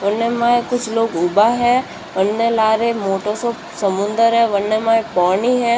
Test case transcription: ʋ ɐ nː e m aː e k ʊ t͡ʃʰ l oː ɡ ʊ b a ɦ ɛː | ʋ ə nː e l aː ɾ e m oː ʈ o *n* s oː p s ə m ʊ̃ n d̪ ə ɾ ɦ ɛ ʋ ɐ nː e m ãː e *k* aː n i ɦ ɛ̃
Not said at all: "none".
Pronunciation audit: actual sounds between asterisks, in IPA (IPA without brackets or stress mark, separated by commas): none, p